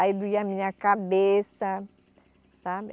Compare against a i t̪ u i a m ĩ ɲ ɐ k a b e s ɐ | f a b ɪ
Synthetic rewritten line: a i d̪ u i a m ĩ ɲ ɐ k a b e s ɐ | s a b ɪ